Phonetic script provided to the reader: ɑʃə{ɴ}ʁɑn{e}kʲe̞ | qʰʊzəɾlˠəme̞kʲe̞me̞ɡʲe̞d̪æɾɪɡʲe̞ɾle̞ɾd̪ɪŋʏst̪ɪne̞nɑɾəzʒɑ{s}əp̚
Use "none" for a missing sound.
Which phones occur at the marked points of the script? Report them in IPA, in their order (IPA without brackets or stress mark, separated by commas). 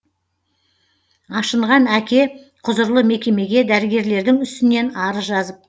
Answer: ɴ, æ, z